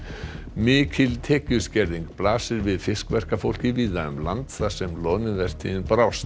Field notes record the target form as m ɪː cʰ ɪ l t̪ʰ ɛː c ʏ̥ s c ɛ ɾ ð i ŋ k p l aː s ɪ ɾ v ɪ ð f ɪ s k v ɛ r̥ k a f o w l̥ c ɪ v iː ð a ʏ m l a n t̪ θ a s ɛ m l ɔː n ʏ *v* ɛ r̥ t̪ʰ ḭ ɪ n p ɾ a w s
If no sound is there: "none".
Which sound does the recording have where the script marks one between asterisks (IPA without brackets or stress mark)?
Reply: v